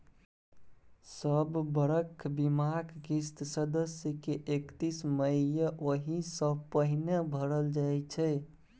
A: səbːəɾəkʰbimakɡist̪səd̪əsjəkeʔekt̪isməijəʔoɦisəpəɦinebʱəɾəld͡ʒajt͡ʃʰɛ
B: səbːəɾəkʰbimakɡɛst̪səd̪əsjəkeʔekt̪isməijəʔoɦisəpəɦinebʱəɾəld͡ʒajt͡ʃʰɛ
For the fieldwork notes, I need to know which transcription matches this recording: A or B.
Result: A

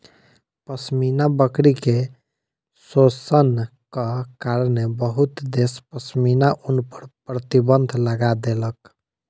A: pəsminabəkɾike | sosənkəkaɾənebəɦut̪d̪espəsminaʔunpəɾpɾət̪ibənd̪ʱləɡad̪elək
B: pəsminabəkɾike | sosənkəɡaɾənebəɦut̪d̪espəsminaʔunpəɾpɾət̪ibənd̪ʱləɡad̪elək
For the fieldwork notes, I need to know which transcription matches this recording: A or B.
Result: A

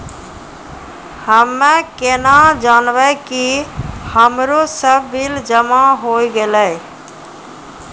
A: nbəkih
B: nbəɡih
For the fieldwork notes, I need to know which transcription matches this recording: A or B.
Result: A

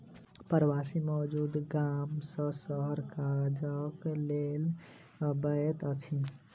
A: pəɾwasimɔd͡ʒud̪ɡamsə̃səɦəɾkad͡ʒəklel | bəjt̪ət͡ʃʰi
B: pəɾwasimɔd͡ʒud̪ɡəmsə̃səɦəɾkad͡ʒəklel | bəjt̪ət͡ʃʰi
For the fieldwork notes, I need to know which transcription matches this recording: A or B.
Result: A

